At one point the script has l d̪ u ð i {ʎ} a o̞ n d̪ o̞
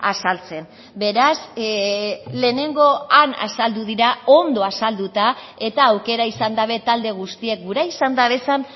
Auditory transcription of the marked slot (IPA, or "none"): ɾ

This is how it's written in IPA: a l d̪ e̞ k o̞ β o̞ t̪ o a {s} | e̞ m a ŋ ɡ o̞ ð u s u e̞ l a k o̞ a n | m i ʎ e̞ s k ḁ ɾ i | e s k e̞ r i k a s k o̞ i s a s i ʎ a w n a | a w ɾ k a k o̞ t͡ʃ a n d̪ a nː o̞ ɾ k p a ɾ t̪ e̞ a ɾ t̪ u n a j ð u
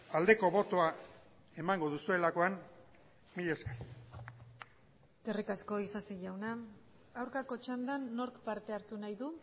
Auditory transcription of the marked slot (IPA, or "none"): none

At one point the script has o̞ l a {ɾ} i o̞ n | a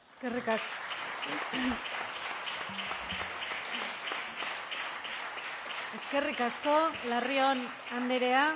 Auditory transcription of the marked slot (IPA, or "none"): r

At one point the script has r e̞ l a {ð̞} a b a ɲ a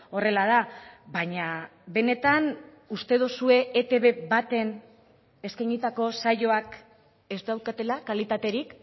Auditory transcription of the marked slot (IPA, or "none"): ð̞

